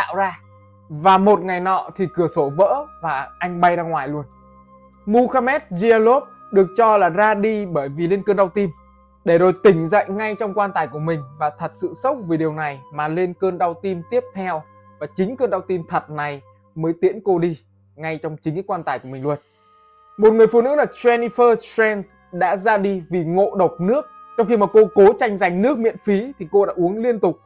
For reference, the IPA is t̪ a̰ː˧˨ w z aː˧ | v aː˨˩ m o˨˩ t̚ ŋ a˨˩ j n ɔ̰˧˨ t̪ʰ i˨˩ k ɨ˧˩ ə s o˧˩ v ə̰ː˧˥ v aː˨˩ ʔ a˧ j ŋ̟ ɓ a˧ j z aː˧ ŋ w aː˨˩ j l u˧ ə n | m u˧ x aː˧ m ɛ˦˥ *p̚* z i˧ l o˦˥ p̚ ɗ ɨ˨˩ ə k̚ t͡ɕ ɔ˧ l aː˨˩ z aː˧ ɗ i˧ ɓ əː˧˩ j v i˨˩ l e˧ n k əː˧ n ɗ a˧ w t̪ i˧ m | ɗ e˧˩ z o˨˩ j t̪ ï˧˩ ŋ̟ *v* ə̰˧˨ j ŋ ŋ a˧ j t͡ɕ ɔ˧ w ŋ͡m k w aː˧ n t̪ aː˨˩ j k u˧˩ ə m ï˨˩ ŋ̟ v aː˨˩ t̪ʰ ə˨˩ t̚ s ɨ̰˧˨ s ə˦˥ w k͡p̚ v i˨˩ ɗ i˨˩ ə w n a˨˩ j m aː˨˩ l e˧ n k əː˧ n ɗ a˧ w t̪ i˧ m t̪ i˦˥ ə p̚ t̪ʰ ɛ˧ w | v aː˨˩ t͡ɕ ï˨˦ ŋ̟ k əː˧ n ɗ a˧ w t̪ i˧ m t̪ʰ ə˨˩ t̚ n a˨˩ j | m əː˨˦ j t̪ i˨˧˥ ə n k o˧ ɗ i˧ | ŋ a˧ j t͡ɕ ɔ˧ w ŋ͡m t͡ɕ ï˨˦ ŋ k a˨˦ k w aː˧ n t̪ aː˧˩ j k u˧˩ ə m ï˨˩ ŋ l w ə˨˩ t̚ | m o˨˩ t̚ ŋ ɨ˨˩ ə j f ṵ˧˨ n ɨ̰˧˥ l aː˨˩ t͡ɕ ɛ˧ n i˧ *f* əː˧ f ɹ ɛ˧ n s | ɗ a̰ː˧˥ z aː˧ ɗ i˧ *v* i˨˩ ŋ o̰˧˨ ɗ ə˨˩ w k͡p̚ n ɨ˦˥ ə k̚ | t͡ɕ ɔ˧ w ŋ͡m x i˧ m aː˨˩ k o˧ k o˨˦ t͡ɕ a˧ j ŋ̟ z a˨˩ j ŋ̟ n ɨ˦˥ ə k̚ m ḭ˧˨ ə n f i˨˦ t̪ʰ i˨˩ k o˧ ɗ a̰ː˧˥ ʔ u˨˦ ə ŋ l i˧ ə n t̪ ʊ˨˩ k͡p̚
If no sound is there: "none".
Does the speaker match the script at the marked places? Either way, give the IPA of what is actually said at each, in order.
t̚, z, f, v

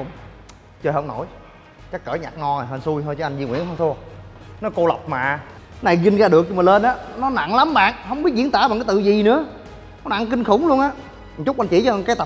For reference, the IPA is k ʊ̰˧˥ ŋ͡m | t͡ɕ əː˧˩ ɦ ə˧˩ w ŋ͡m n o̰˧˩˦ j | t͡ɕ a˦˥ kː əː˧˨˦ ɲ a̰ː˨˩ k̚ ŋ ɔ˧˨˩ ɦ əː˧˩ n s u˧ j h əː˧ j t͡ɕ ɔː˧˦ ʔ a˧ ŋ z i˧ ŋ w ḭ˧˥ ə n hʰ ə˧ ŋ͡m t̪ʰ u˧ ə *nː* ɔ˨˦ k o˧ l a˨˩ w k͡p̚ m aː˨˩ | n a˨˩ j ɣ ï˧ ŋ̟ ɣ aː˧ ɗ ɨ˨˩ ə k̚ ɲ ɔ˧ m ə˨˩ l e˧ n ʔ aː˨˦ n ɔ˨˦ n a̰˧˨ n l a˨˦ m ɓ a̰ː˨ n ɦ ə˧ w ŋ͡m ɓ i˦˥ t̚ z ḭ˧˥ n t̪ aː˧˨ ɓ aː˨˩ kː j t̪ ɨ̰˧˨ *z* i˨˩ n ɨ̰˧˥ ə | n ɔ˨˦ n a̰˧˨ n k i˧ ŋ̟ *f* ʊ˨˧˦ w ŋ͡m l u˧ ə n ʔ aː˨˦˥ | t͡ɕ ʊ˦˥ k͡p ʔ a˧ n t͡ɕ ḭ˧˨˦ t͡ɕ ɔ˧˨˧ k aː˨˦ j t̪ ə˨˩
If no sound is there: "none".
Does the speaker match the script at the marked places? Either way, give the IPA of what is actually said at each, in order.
n, z, x

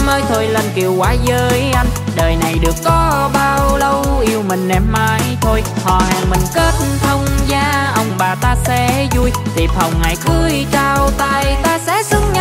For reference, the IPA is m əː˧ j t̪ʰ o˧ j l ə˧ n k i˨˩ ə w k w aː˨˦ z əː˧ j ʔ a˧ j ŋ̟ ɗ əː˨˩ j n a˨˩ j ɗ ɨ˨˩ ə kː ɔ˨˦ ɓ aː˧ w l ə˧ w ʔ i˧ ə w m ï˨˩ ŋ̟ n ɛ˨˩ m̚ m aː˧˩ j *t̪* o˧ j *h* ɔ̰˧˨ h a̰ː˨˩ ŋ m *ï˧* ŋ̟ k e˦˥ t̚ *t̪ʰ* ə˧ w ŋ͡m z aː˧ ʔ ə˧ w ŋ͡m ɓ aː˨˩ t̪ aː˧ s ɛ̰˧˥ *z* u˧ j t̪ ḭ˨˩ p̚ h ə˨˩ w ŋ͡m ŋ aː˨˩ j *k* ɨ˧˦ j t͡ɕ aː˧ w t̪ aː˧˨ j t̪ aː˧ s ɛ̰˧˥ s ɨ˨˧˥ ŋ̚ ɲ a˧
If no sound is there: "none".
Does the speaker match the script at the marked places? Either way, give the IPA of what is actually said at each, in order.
t̪ʰ, h, ï˨˩, t̪ʰ, z, k

